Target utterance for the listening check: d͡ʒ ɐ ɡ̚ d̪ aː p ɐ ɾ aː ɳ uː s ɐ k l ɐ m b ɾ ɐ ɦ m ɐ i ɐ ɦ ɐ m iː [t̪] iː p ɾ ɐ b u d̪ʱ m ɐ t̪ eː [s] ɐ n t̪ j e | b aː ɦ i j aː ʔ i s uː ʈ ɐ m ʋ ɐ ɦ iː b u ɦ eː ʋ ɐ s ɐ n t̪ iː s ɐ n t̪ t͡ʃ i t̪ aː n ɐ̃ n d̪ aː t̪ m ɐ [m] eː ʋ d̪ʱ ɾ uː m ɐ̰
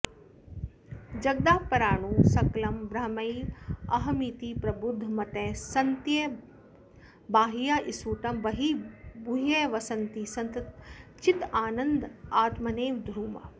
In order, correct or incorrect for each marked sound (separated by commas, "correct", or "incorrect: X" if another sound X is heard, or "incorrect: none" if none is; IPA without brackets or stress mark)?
correct, correct, incorrect: n